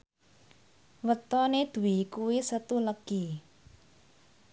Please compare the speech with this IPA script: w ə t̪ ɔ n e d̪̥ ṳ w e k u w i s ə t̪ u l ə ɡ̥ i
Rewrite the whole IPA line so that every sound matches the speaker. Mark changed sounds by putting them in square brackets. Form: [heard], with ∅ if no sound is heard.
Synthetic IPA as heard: w ə t̪ ɔ n e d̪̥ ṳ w [i] k u w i s ə t̪ u l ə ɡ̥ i